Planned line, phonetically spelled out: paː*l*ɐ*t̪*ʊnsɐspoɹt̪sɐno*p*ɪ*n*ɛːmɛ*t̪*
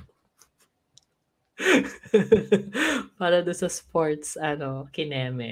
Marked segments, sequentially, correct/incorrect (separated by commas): incorrect, incorrect, incorrect, correct, incorrect